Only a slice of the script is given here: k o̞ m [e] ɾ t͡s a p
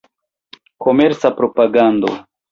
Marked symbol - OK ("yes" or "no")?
yes